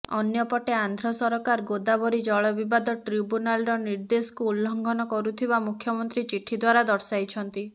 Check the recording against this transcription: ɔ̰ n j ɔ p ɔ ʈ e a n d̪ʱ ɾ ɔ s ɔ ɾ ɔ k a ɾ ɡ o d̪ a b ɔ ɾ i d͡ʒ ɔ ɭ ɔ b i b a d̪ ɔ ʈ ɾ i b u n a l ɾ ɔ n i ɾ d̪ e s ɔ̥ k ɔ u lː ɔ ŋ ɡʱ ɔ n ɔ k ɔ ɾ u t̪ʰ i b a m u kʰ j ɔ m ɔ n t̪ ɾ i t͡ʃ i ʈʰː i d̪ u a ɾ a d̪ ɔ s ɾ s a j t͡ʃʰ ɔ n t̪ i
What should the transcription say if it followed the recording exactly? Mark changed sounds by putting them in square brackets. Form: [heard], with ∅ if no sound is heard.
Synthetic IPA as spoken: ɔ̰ n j ɔ p ɔ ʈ e a n d̪ʱ ɾ ɔ s ɔ ɾ ɔ k a ɾ ɡ o d̪ a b ɔ ɾ i d͡ʒ ɔ ɭ ɔ b i b a d̪ ɔ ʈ ɾ i b u n a l ɾ ɔ n i ɾ d̪ e s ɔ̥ k [u] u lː ɔ ŋ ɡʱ ɔ n ɔ k ɔ ɾ u t̪ʰ i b a m u kʰ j ɔ m ɔ n t̪ ɾ i t͡ʃ i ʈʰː i d̪ [w] a ɾ a d̪ ɔ [∅] ɾ s a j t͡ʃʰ ɔ n t̪ i